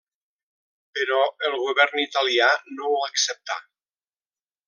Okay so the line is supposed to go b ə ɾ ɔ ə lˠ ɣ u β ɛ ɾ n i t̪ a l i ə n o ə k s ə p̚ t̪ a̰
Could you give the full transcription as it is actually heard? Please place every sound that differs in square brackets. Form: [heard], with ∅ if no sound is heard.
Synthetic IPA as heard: [p] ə ɾ ɔ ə lˠ ɣ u β ɛ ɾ n i t̪ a l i [a] n o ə k s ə p̚ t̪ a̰